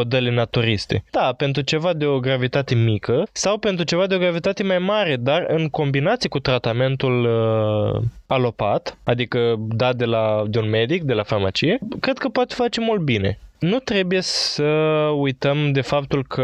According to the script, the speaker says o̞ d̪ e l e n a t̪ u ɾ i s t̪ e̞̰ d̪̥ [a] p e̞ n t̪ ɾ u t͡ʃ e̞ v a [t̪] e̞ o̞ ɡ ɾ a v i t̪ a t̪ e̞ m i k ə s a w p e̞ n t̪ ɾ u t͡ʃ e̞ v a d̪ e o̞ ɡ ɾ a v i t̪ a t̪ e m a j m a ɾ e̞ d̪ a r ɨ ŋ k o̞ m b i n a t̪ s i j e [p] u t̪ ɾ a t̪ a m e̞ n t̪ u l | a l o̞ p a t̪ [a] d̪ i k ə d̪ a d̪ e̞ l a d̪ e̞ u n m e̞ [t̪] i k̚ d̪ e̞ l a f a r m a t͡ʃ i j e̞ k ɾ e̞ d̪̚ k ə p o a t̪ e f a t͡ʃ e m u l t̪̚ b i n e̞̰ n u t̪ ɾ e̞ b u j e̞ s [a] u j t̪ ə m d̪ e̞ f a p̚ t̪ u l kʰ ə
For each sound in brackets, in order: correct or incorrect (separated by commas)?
correct, incorrect, incorrect, correct, incorrect, incorrect